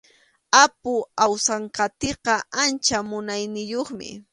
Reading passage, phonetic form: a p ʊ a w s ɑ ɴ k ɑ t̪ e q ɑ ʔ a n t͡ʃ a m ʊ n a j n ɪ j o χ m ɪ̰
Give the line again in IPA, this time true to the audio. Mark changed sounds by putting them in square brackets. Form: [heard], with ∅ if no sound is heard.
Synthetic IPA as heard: a p ʊ a w s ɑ ɴ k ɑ t̪ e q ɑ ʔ a n t͡ʃ a m ʊ n a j n ɪ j o χ m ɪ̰